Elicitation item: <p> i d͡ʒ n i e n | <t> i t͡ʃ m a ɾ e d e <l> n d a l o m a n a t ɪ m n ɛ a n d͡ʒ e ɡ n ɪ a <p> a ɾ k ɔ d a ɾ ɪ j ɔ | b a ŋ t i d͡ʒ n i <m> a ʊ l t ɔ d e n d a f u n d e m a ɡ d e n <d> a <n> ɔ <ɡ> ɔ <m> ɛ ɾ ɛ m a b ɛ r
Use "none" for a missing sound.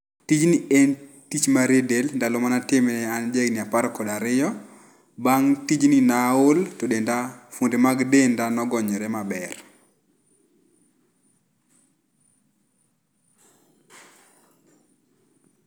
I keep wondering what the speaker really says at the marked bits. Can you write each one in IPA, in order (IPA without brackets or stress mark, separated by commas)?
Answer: t, t, l, p, n, d, n, ɡ, ɲ